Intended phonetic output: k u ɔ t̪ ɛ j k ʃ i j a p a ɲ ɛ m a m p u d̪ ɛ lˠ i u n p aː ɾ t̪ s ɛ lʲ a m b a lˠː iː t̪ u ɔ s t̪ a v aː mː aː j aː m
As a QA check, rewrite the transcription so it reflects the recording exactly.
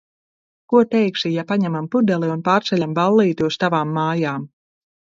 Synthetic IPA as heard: k u ɔ t̪ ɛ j k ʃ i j a p a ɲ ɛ m a m p u d̪ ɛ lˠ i u n p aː ɾ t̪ s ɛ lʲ a m b a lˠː iː t̪ u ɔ s t̪ a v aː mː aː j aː m